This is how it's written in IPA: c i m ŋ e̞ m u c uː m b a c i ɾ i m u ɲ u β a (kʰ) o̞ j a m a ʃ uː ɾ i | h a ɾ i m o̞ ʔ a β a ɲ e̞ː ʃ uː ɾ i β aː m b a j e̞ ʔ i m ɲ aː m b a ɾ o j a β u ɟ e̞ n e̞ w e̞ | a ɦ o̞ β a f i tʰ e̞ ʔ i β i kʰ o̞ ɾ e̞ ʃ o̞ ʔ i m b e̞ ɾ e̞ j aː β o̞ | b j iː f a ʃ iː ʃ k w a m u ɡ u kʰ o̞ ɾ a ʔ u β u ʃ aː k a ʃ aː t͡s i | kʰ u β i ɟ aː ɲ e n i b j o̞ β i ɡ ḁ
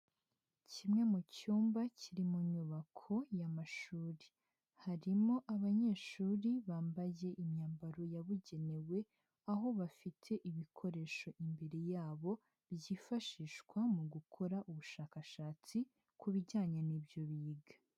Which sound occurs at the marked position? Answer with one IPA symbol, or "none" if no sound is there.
kʰ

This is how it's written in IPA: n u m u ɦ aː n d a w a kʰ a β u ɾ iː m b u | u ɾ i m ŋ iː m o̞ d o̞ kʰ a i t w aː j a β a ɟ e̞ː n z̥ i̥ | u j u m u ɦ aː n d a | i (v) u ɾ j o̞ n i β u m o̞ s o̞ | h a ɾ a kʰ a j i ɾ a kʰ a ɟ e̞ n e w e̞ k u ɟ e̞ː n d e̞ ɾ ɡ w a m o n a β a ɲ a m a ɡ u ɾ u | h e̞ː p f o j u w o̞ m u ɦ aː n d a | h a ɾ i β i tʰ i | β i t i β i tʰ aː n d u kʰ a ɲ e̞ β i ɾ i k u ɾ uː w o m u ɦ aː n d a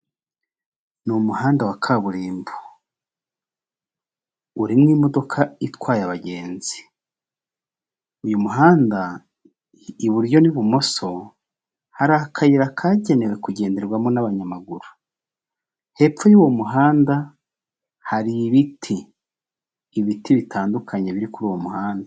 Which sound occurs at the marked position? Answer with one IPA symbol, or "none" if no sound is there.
β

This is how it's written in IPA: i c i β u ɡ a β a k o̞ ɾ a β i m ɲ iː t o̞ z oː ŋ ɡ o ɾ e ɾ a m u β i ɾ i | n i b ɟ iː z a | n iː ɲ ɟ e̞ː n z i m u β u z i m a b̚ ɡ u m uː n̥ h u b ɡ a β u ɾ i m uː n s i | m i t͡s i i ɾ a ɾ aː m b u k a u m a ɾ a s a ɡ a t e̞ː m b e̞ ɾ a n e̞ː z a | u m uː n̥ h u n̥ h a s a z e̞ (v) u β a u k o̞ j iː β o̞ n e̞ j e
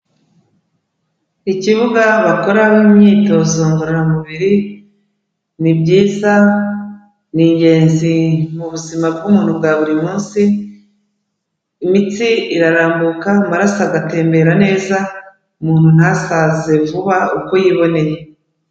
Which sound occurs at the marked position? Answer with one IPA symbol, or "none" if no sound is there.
v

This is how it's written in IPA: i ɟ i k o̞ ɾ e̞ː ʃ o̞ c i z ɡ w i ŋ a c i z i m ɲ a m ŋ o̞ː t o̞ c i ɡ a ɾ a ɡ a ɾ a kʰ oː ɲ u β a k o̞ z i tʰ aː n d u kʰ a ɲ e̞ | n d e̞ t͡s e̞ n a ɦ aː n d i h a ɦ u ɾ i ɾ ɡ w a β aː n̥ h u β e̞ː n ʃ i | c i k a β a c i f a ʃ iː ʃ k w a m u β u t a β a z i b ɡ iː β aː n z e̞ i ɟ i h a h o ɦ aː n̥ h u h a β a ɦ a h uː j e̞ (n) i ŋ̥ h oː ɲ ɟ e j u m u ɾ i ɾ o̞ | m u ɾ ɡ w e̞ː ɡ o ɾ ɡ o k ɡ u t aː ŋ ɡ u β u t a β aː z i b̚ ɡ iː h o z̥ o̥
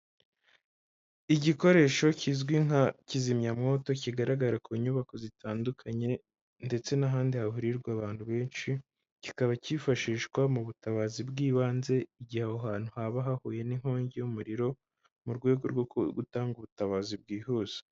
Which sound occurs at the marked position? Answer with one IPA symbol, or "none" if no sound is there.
n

